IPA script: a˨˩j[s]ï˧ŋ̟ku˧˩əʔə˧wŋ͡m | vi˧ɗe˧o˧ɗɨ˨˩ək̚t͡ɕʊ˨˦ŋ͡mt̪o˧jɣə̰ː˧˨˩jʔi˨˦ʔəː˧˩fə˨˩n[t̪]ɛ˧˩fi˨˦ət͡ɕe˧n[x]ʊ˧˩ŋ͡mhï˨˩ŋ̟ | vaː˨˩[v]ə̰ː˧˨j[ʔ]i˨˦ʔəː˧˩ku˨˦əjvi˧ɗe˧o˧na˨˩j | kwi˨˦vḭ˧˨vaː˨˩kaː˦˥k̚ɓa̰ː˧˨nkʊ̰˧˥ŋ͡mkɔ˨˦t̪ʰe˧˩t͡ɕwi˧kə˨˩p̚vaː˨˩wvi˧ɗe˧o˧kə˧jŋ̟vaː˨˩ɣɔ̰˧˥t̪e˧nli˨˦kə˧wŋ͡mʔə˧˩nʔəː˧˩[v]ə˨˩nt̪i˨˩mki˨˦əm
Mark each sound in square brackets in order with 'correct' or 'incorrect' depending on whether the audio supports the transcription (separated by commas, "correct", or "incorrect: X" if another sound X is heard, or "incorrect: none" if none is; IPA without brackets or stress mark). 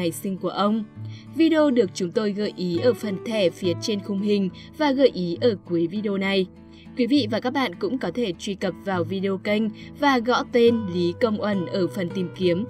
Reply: correct, incorrect: t̪ʰ, correct, incorrect: ɣ, correct, incorrect: f